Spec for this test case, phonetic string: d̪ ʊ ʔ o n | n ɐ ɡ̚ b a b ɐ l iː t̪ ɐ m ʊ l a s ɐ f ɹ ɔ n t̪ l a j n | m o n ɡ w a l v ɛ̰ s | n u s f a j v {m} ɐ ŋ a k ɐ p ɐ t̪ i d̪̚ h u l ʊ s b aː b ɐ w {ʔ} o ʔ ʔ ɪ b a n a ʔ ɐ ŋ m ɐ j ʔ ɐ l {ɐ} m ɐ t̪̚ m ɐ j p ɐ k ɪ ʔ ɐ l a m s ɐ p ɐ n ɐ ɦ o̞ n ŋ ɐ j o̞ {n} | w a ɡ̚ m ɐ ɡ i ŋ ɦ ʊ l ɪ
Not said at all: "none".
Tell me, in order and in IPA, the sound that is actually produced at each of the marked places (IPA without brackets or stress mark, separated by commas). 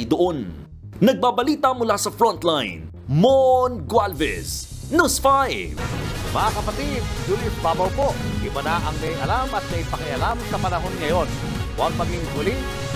m, p, a, n